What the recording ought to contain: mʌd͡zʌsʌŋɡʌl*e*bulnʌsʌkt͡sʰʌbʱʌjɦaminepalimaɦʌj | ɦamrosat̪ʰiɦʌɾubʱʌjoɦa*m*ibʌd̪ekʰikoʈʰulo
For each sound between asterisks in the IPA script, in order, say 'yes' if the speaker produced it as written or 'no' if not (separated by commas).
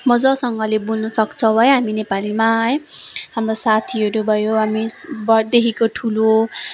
yes, yes